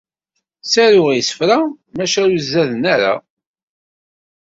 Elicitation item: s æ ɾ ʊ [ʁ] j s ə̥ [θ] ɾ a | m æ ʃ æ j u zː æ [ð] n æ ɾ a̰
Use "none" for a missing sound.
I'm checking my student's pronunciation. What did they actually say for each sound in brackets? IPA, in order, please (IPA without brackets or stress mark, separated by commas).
ʁ, f, ð